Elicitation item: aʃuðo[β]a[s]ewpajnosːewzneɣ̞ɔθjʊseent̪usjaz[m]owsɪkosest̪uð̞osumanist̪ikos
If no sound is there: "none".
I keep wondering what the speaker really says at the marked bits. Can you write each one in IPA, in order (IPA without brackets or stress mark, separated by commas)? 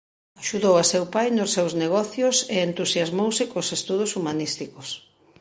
w, s, m